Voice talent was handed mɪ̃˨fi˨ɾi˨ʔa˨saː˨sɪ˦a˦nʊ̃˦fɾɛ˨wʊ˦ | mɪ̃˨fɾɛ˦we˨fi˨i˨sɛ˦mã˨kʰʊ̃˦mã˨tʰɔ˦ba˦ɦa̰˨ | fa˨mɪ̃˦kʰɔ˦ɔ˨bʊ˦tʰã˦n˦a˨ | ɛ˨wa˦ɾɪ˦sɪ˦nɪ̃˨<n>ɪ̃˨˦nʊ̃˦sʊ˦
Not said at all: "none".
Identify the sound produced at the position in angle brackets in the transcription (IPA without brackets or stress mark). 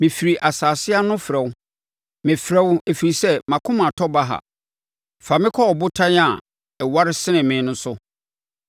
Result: m